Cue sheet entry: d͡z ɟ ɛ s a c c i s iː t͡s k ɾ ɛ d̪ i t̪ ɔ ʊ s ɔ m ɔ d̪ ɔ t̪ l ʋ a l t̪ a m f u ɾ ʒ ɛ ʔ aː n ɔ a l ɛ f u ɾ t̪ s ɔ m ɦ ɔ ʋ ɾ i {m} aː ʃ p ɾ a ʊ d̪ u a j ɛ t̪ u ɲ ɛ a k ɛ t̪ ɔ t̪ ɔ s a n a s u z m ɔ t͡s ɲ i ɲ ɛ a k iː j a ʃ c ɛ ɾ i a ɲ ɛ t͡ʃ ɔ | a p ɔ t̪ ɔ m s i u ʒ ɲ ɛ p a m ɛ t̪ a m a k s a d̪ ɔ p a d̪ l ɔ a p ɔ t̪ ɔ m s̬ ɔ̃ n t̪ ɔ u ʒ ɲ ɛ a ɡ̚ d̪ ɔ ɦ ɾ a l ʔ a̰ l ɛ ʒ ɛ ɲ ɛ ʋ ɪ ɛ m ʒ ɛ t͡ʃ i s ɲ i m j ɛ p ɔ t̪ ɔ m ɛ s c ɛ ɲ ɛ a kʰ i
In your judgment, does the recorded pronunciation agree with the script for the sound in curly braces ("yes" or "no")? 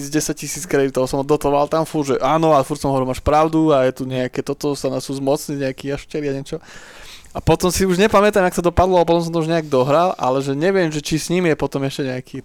yes